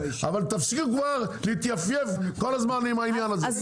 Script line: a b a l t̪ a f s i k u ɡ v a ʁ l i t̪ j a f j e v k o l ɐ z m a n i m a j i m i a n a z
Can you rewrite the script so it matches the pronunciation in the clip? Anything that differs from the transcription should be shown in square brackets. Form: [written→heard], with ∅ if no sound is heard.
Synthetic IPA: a [b→v] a l t̪ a f s i k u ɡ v a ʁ l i t̪ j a f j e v k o l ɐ z m a n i m a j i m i a n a z